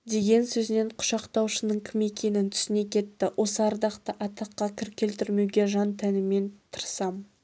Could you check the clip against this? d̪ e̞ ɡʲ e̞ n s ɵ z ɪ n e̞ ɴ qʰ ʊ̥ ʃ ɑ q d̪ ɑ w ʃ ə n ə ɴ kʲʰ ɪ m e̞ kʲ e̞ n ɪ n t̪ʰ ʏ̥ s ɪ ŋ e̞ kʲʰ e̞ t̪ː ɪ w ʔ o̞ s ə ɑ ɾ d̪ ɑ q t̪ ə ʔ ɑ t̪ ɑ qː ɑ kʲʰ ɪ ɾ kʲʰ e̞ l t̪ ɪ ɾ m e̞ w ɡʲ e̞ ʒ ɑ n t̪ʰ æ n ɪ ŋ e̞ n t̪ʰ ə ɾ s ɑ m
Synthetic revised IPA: d̪ e̞ ɡʲ e̞ n s ɵ z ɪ n e̞ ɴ qʰ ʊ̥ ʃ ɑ q t̪ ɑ w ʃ ə n ə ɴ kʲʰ ɪ m e̞ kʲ e̞ n ɪ n t̪ʰ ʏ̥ s ɪ n e̞ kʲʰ e̞ t̪ː ɪ w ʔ o̞ s ə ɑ ɾ d̪ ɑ q t̪ ə ʔ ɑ t̪ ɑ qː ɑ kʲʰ ɪ ɾ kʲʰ e̞ l t̪ ɪ ɾ m e̞ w ɡʲ e̞ ʒ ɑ n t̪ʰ æ n ɪ m e̞ n t̪ʰ ə ɾ s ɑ m